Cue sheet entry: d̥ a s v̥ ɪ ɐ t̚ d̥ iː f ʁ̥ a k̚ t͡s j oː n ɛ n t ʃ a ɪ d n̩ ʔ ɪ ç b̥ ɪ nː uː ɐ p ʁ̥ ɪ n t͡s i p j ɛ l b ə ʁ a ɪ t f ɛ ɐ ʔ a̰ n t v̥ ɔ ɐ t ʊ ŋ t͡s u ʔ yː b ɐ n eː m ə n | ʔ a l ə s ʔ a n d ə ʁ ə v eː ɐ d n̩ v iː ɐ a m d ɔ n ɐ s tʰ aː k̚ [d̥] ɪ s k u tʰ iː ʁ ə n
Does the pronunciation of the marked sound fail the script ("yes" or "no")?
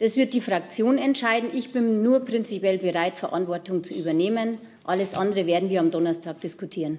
no